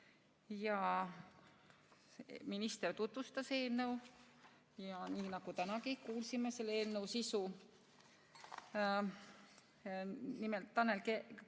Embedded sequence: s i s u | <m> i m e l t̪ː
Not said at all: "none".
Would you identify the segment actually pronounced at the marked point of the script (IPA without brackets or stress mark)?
n